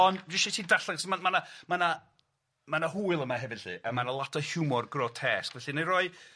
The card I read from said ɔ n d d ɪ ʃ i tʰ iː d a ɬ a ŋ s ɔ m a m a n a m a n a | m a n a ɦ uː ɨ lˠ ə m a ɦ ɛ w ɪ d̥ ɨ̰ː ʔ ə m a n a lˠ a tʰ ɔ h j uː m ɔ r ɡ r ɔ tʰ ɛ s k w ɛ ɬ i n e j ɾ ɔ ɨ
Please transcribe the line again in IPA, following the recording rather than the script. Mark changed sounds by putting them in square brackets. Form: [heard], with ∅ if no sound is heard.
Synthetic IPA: ɔ n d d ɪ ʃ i tʰ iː d a ɬ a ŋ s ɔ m a m a n a m a n a | m a n a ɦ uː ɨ lˠ ə m a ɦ ɛ [v] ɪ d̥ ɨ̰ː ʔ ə m a n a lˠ a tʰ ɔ h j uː m ɔ r ɡ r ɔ tʰ ɛ s k [v] ɛ ɬ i n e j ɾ ɔ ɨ